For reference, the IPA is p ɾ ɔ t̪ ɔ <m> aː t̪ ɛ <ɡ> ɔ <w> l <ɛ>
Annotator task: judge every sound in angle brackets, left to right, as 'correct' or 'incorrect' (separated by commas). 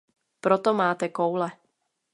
correct, incorrect, correct, correct